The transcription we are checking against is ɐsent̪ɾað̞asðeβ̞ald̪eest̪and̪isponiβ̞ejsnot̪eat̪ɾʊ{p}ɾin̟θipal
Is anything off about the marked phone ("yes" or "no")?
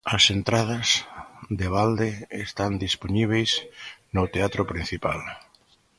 no